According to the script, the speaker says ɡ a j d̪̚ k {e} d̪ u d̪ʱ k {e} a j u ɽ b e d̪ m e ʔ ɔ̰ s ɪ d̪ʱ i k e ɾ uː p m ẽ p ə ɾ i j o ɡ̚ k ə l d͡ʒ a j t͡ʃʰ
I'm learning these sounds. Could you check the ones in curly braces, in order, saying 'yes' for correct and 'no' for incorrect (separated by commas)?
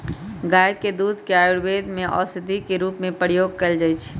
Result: yes, yes